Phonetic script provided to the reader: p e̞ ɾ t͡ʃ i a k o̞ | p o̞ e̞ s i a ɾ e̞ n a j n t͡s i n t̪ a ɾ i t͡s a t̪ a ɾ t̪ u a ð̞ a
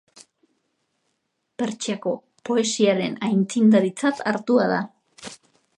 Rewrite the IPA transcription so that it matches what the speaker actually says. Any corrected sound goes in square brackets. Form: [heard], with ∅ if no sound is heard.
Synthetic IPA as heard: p e̞ ɾ t͡ʃ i a k o̞ | p o̞ e̞ s i a ɾ e̞ n a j n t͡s i n [d̪] a ɾ i t͡s a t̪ a ɾ t̪ u a ð̞ a